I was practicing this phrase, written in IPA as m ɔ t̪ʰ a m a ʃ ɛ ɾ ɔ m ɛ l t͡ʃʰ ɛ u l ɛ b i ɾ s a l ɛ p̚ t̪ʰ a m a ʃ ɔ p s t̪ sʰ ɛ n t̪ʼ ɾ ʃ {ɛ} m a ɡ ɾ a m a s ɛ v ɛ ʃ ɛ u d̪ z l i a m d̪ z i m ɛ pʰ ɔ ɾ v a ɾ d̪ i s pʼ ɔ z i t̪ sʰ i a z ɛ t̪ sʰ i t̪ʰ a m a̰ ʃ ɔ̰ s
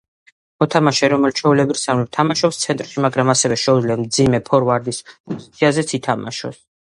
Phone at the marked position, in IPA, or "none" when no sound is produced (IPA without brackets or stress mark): i